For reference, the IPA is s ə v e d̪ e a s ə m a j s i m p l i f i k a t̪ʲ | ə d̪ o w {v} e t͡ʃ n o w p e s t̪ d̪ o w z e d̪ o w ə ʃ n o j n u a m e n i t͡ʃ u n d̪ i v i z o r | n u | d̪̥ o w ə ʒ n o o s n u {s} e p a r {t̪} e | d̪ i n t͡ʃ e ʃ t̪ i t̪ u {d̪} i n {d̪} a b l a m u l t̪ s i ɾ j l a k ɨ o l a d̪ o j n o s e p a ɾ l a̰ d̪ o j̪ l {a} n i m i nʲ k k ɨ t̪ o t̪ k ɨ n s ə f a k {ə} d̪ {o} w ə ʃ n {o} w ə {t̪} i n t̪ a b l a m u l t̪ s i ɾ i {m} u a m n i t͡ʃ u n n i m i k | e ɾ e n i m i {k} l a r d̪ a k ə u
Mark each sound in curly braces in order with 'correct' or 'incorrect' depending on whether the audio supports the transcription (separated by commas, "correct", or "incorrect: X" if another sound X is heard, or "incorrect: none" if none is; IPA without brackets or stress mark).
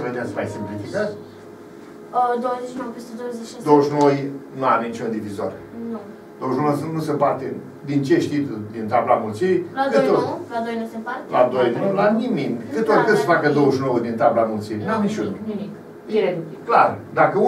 incorrect: z, correct, correct, correct, incorrect: t̪, correct, correct, correct, correct, incorrect: d̪, incorrect: n, correct